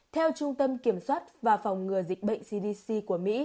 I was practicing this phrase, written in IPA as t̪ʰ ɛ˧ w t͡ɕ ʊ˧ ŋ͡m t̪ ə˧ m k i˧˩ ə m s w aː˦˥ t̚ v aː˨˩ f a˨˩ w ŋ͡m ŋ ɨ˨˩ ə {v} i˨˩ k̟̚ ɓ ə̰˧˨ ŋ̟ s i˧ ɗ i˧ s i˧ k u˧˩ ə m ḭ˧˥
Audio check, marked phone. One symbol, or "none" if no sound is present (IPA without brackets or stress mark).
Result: z